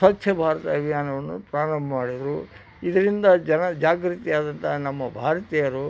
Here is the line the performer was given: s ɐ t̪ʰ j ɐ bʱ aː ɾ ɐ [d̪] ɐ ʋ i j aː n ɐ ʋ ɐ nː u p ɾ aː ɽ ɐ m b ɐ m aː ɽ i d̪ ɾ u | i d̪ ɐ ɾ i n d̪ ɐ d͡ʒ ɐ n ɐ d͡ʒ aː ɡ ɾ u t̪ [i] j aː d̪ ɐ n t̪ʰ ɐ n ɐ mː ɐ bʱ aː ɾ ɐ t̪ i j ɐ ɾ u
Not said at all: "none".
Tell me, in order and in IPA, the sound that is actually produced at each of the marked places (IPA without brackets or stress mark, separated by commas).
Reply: t̪, i